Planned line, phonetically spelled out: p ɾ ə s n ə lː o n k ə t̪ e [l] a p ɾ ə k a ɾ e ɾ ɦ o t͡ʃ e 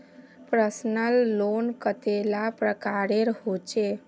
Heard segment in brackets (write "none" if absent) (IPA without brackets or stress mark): l